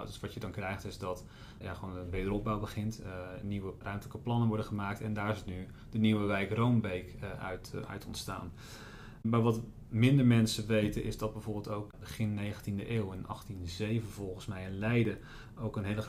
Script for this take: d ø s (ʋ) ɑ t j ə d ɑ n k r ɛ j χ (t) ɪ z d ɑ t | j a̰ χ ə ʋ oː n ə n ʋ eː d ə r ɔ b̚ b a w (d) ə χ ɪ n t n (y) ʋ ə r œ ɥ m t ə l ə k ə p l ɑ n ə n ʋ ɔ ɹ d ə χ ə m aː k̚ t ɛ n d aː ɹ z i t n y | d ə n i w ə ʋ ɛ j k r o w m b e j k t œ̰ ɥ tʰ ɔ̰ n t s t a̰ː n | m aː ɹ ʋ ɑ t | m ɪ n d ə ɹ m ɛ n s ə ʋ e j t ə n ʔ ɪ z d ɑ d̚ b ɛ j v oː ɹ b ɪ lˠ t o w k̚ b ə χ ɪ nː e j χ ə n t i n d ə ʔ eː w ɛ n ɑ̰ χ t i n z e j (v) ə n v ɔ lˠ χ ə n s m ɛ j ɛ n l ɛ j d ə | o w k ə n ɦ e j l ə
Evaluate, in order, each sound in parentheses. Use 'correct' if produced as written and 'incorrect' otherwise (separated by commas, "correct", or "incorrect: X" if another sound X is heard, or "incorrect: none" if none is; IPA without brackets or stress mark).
correct, correct, incorrect: b, incorrect: i, correct